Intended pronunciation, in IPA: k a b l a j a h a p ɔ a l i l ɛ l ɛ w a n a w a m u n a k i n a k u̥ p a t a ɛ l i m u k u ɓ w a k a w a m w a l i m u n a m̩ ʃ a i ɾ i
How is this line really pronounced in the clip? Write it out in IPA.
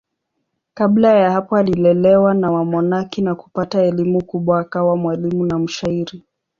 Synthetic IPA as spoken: k a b l a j a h a p ɔ a l i l ɛ l ɛ w a n a w a m ɔ n a k i n a k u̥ p a t a ɛ l i m u k u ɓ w a k a w a m w a l i m u n a m̩ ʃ a i ɾ i